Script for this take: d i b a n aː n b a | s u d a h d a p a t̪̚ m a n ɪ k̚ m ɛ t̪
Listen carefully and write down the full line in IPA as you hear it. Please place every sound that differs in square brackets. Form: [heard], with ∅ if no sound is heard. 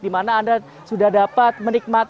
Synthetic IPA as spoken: d i [m] a n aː n [d] a | s u d a h d a p a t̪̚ m [ə] n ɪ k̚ m [a] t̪